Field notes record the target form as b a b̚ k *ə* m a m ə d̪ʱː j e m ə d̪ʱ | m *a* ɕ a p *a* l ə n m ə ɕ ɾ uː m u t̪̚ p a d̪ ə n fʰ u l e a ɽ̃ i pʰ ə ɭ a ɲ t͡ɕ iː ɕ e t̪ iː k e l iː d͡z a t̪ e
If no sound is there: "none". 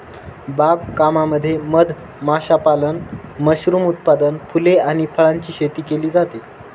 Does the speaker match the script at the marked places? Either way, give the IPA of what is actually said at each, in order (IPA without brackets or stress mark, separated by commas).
a, a, a